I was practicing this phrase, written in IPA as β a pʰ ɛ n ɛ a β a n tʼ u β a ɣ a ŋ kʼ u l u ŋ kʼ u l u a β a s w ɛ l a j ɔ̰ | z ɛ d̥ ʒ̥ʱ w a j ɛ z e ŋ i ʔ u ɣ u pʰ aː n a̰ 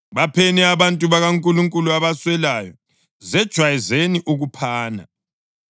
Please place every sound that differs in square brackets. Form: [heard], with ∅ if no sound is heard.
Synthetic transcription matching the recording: β a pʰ ɛ n ɛ a β a n tʼ u β a ɣ a ŋ kʼ u l u ŋ kʼ u l u a β a s w ɛ l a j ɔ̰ | z ɛ d̥ ʒ̥ʱ w a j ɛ z e [n] i ʔ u ɣ u pʰ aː n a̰

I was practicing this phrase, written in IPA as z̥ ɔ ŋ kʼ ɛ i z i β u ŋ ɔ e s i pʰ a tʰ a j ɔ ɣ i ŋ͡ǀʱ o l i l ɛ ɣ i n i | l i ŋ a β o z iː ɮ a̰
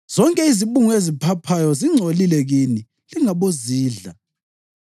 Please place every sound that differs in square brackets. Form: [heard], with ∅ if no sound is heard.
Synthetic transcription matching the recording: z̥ ɔ ŋ kʼ ɛ i z i β u ŋ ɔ e [z] i pʰ a [pʰ] a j ɔ [z] i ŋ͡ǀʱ o l i l ɛ ɣ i n i | l i ŋ a β o z iː ɮ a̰

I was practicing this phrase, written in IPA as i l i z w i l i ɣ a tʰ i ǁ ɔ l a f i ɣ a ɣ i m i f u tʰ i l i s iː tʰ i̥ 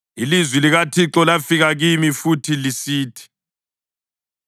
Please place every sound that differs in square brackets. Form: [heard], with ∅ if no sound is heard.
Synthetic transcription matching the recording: i l i z w i l i ɣ a tʰ i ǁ ɔ l a f i ɣ a ɣ i m i f u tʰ i l i s iː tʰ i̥

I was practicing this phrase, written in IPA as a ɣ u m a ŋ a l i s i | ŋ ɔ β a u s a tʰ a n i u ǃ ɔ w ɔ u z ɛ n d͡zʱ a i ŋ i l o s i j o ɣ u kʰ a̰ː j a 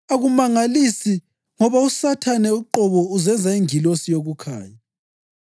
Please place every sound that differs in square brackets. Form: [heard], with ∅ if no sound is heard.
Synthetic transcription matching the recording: a ɣ u m a ŋ a l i s i | ŋ ɔ β a u s a tʰ a n [ɛ] u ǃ ɔ [β] ɔ u z ɛ n d͡zʱ a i ŋ i l o s i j o ɣ u kʰ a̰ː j a

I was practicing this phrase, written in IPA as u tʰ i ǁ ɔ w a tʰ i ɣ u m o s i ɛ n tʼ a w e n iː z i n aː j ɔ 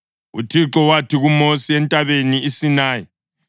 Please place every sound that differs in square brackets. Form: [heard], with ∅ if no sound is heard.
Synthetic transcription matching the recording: u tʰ i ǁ ɔ w a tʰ i ɣ u m o s i ɛ n tʼ a [β] e n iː [s] i n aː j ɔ

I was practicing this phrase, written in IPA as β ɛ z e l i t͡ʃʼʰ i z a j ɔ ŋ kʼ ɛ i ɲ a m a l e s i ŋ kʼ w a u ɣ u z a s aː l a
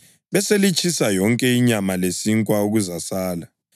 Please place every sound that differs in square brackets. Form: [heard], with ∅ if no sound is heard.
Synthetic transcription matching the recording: β ɛ [s] e l i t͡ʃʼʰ i [s] a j ɔ ŋ kʼ ɛ i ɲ a m a l e s i ŋ kʼ w a u ɣ u z a s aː l a

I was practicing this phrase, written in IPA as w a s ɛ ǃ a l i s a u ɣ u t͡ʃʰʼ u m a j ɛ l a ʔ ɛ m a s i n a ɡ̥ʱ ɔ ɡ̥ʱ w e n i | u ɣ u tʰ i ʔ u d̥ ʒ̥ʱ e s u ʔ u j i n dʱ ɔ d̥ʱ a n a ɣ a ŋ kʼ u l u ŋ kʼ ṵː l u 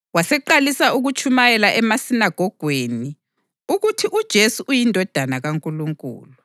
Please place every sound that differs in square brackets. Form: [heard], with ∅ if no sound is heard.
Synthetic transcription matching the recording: w a s ɛ ǃ a l i s a u ɣ u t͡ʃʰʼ u m a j ɛ l a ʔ ɛ m a s i n a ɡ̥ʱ ɔ ɡ̥ʱ w e n i | u ɣ u tʰ i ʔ u d̥ ʒ̥ʱ e s u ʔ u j i n dʱ ɔ d̥ʱ a n a ɣ a ŋ kʼ u l u ŋ kʼ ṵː l u

